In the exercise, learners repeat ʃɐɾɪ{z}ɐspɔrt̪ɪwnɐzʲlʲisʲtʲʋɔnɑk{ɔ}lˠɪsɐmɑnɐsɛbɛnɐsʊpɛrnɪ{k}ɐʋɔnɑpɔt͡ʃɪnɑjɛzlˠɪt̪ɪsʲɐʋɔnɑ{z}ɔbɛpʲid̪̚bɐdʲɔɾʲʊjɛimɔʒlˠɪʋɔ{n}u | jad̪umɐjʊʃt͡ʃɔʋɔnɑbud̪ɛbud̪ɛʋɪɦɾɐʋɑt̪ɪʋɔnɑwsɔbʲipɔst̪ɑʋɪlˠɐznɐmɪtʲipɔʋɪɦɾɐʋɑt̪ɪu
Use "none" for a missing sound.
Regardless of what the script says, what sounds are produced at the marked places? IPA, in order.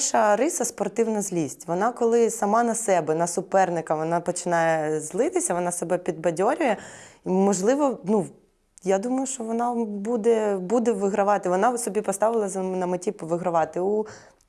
s, ɔ, k, s, n

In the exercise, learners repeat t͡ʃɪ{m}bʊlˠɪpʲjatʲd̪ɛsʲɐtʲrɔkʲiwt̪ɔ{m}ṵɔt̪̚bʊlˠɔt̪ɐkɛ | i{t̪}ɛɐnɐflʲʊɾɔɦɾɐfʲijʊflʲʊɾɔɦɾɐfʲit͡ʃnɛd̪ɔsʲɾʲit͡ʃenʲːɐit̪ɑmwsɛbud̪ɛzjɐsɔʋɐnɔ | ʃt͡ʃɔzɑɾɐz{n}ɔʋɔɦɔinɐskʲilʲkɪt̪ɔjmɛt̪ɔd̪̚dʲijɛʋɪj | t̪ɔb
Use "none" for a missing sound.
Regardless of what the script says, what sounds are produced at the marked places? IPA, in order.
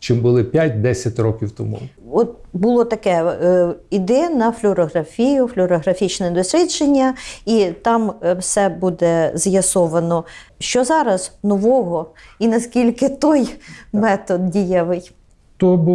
m, m, d̪, n

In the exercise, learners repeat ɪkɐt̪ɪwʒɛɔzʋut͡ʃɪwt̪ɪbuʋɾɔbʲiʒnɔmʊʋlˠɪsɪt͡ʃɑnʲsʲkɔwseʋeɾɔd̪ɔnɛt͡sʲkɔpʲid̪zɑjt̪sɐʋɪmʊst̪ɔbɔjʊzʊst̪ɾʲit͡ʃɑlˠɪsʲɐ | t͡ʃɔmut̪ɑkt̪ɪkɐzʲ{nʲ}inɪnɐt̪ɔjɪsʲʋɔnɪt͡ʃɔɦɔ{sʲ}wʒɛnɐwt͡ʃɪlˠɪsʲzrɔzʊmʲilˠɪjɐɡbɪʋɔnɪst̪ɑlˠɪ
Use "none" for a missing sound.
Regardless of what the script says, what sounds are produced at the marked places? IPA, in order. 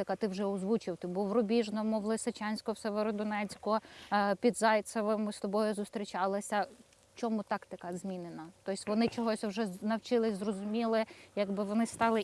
mʲ, sʲ

